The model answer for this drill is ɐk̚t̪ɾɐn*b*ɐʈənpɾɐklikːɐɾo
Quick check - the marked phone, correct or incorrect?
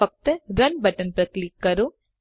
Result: correct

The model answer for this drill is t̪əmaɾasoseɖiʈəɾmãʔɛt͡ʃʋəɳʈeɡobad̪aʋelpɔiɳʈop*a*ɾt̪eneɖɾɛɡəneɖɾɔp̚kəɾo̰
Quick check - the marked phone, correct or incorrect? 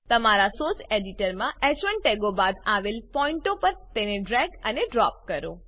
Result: incorrect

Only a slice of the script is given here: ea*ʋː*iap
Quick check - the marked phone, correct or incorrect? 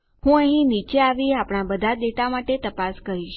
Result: incorrect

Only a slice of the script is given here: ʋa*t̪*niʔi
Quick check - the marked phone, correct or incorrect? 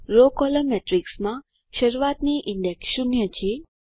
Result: correct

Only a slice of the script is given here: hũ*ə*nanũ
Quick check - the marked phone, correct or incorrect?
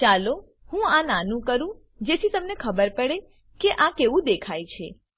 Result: incorrect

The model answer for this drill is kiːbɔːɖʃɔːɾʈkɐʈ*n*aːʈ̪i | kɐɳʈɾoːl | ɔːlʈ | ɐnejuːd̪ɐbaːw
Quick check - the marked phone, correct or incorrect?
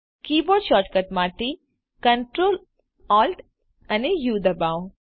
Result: incorrect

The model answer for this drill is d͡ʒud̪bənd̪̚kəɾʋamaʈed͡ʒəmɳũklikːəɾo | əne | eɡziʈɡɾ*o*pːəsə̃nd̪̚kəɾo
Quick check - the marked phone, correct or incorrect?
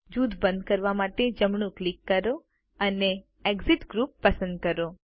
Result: incorrect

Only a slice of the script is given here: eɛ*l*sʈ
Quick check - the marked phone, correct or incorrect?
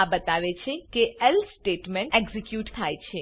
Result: correct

